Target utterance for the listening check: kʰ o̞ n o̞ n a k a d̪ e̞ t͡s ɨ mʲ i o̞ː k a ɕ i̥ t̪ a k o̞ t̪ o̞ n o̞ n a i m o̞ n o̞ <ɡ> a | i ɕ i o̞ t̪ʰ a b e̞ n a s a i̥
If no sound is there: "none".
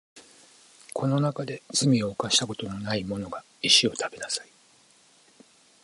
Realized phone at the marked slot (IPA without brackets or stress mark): ɡ